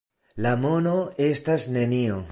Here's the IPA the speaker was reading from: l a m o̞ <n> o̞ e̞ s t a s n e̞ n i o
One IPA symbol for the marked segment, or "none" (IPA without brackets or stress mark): n